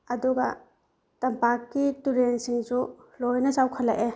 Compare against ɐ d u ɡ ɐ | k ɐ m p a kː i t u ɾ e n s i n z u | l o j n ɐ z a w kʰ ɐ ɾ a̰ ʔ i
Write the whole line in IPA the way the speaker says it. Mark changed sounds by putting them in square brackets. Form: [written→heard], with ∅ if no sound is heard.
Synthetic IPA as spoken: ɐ d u ɡ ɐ | [k→t] ɐ m p a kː i t u ɾ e n s i [n→ŋ] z u | l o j n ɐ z a w kʰ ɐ [ɾ→l] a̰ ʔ [i→e]